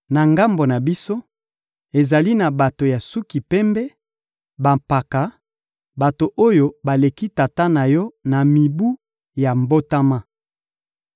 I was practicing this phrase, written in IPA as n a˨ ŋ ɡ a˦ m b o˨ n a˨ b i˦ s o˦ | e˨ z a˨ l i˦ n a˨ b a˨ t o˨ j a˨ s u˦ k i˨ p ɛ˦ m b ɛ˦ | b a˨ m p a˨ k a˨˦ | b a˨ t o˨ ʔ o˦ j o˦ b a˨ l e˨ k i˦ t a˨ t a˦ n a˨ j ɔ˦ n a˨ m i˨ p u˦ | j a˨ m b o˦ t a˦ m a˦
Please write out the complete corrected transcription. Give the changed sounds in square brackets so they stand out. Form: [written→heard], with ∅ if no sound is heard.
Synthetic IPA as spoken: n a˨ ŋ ɡ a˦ m b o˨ n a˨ b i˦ s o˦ | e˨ z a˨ l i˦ n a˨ b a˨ t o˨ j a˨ s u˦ k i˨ p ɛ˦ m b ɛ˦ | b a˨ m p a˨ k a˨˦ | b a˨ t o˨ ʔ o˦ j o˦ b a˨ l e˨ k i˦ t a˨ t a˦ n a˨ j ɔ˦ n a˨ m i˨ [p→b] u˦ | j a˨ m b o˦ t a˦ m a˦